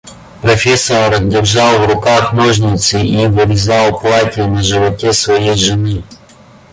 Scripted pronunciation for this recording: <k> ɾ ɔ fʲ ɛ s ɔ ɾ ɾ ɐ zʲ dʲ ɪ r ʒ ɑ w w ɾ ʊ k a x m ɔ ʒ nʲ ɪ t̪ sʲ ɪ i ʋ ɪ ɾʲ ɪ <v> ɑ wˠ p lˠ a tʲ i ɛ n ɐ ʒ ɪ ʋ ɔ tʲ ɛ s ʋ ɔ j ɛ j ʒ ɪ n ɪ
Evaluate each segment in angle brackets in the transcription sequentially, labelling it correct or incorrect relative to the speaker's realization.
incorrect, incorrect

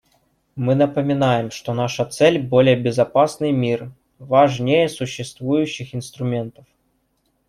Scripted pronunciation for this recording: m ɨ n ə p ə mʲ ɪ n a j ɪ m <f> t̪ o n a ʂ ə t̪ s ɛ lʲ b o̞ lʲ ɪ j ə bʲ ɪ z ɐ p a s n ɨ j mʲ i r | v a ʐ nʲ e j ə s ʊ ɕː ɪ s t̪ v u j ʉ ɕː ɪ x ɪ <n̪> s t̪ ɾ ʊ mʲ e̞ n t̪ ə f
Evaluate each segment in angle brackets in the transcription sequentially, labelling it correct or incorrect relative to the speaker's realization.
incorrect, correct

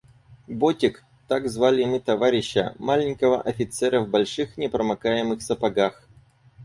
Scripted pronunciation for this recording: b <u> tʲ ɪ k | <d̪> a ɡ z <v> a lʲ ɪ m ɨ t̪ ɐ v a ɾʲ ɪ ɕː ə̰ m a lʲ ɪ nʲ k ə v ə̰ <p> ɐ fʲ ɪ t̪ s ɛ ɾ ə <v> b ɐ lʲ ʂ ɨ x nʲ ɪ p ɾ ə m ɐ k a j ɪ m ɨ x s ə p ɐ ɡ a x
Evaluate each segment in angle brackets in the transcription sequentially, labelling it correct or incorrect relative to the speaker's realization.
incorrect, incorrect, correct, incorrect, correct

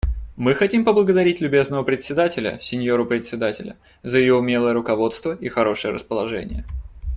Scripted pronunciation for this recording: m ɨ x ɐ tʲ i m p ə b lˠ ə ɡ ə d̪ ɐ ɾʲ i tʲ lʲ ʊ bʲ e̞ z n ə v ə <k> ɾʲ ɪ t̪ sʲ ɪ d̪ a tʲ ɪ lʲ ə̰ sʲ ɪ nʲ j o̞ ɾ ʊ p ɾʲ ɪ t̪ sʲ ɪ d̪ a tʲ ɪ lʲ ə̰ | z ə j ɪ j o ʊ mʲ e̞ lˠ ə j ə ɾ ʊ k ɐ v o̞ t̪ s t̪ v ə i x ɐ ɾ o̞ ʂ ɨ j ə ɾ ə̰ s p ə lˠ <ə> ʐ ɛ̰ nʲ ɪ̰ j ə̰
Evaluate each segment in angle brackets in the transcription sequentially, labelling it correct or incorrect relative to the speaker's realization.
incorrect, incorrect

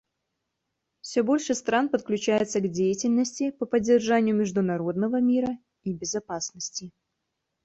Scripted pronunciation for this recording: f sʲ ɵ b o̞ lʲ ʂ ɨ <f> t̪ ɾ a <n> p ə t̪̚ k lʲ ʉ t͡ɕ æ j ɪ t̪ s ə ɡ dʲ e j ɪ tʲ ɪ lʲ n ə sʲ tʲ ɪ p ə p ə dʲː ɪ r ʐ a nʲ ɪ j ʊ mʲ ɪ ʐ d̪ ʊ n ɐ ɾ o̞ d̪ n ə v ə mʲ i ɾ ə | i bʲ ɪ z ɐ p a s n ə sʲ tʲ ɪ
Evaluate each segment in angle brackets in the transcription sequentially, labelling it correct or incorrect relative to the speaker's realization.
incorrect, correct

